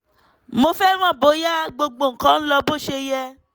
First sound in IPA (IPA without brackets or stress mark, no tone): m